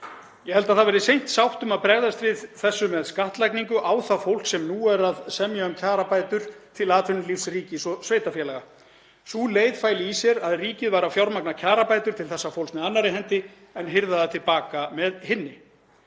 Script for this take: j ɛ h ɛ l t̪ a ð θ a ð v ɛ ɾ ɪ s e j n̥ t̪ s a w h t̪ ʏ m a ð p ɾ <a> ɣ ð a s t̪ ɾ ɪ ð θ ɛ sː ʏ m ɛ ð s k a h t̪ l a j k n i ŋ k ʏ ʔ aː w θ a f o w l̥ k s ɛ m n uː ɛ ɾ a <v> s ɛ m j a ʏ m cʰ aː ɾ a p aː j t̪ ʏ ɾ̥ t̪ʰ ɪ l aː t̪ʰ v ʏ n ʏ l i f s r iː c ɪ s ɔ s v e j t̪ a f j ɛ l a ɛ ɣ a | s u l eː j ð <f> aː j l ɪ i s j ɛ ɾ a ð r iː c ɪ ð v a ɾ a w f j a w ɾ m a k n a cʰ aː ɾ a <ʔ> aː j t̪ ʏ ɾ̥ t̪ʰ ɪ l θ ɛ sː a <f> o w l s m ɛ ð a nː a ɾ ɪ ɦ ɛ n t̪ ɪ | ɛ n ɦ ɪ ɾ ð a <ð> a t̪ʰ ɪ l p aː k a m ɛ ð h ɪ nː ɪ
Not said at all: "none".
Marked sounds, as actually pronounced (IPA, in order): ɛ, ð, f, p, f, ð

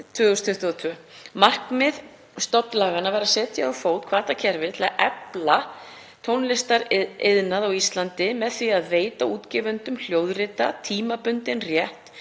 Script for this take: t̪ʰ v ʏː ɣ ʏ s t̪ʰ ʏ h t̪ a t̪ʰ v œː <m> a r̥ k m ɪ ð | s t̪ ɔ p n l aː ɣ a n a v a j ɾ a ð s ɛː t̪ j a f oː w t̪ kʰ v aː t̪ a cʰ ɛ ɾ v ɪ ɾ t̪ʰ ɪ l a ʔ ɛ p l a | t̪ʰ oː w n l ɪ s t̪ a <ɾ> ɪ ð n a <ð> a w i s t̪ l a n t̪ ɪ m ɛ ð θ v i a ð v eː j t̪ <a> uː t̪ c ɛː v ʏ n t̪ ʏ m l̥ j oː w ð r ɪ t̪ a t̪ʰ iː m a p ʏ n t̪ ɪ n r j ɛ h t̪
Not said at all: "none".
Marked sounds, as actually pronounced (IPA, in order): m, ɾ, ð, a

